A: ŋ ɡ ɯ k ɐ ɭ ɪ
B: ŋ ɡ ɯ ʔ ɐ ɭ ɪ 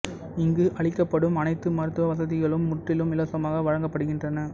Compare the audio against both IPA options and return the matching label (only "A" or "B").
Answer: B